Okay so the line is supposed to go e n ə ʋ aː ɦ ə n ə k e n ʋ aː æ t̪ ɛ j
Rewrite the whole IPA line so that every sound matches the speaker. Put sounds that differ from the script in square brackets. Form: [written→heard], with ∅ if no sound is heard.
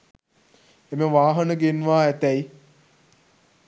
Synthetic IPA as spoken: e [n→m] ə ʋ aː ɦ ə n ə [k→ɡ] e n ʋ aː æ t̪ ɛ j